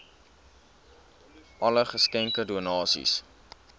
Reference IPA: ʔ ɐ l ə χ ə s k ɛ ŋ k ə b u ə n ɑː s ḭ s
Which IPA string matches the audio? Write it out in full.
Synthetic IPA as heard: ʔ ɐ l ə χ ə s k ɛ ŋ k ə d u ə n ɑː s ḭ s